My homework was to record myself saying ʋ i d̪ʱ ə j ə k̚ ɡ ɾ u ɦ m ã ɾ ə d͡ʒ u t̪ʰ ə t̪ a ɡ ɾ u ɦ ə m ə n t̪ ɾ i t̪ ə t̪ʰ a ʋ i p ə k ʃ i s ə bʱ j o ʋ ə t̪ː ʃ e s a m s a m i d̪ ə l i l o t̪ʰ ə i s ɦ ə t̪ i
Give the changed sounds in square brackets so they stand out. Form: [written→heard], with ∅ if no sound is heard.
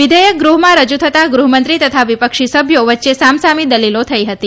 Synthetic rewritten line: ʋ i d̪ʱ ə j ə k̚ ɡ ɾ u ɦ m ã ɾ ə d͡ʒ u t̪ʰ ə t̪ a ɡ ɾ u ɦ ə m ə n t̪ ɾ i t̪ ə t̪ʰ a ʋ i p ə k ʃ i s ə bʱ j o ʋ ə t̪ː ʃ e s a m s a m i d̪ ə l i l o t̪ʰ ə i [s→∅] ɦ ə t̪ i